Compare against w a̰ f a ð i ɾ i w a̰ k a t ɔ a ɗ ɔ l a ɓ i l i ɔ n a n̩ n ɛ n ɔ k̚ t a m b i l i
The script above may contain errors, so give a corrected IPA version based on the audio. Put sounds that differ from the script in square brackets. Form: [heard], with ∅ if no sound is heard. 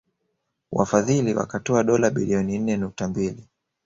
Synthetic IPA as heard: w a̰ f a ð i [l] i w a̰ k a t ɔ a ɗ ɔ l a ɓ i l i ɔ n [i] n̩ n ɛ n [u] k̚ t a m b i l i